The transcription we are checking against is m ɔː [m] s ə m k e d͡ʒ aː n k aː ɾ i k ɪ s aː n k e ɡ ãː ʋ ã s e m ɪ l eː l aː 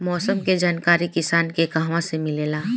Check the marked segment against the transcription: incorrect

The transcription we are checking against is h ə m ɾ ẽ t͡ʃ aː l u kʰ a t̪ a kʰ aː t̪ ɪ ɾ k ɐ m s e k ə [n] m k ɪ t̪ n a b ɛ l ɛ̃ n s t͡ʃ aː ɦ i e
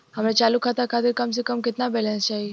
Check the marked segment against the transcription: incorrect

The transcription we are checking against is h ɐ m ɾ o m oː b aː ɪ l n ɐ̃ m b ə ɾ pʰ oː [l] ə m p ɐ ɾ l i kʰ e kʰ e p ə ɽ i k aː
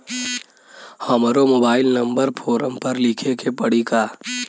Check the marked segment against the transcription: incorrect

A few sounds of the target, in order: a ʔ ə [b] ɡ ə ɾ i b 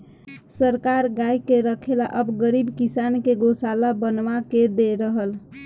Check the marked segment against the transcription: correct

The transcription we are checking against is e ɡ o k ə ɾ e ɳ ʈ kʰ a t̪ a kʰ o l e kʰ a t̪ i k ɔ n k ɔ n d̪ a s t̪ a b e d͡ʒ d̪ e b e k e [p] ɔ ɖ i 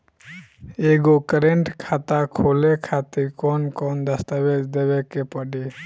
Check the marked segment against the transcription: correct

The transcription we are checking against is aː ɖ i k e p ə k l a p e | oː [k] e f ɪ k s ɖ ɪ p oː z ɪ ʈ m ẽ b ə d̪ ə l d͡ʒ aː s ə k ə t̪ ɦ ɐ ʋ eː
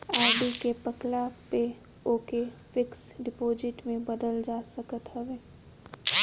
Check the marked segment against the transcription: correct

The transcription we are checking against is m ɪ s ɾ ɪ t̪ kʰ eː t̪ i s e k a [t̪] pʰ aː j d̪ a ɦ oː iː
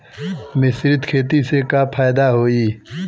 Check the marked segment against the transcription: incorrect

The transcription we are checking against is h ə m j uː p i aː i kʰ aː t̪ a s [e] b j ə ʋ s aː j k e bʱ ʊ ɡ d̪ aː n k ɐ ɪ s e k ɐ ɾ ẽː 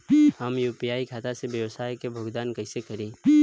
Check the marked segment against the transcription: correct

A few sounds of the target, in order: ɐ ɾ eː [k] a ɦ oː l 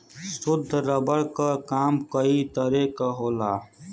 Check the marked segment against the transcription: correct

